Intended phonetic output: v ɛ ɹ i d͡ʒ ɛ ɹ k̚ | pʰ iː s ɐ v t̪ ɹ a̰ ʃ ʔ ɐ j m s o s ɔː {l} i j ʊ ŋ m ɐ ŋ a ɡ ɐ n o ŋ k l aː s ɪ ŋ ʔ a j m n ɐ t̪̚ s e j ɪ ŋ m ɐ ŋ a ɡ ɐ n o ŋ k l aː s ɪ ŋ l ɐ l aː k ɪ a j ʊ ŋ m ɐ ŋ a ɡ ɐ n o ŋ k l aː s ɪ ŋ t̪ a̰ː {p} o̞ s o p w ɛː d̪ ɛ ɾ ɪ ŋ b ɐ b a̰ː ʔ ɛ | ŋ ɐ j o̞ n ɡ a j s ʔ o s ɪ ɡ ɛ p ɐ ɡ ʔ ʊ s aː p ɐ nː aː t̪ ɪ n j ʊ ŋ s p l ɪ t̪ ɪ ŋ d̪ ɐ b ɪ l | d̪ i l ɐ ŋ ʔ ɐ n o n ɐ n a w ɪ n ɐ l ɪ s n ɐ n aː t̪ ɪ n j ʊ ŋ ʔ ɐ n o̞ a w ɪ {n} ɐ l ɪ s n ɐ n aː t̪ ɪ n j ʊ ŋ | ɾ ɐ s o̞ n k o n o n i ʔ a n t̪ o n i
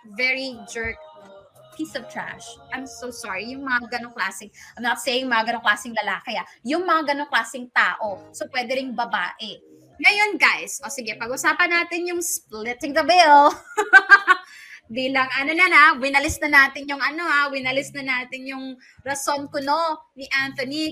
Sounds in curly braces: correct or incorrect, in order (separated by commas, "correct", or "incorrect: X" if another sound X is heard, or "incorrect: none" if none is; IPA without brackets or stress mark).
incorrect: ɹ, incorrect: ʔ, correct